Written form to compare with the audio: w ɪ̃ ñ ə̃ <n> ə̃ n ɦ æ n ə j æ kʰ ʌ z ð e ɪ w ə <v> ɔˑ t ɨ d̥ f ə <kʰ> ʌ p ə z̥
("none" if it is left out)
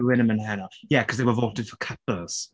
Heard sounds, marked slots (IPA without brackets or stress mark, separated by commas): m, v, kʰ